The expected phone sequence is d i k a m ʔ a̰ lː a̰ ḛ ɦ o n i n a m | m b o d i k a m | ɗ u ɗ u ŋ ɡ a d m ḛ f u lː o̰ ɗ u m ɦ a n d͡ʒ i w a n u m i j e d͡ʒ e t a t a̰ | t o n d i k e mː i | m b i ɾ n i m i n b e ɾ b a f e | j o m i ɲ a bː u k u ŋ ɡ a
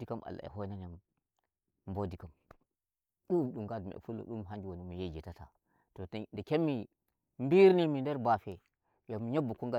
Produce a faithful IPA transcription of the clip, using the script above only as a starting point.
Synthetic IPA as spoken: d i k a m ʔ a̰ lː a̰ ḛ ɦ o n a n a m | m b o d i k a m | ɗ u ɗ u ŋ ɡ a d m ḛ f u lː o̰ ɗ u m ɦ a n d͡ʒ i w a n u m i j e d͡ʒ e t a t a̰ | t o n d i k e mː i | m b i ɾ n i m i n d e ɾ b a f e | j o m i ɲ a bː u k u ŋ ɡ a